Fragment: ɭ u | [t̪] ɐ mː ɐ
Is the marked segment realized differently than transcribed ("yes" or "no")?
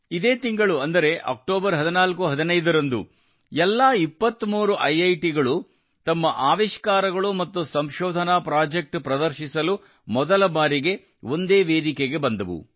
no